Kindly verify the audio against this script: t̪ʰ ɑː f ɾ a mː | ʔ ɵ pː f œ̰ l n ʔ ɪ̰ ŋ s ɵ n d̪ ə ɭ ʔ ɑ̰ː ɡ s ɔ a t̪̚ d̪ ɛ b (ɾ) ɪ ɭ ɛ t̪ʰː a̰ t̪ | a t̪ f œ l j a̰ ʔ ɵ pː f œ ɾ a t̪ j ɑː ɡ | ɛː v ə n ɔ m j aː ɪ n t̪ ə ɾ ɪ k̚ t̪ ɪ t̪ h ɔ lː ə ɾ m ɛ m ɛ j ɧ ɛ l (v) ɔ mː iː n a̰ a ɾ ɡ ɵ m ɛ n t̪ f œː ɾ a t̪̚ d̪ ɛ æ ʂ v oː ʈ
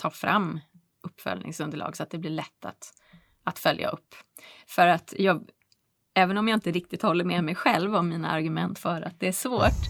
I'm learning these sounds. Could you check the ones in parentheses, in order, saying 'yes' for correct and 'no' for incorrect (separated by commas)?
no, yes